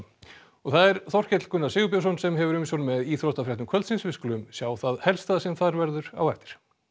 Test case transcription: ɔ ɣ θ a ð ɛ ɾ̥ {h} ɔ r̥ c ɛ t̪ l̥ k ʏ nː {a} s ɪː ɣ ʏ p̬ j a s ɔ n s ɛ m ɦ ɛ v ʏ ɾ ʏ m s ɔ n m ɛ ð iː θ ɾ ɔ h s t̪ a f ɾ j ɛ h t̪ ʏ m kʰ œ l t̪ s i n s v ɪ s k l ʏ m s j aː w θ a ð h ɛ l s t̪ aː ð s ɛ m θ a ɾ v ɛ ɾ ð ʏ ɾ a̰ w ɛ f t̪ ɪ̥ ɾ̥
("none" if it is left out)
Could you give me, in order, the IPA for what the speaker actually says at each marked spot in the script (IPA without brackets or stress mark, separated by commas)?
θ, a